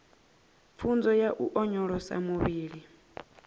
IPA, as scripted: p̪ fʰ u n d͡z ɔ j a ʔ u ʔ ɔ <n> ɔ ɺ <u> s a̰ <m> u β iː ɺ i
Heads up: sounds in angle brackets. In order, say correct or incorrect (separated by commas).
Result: incorrect, incorrect, correct